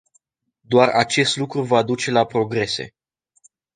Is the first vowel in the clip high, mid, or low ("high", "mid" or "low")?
mid